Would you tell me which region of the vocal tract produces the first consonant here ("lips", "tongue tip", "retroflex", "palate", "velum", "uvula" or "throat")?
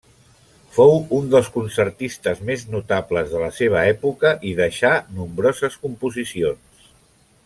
lips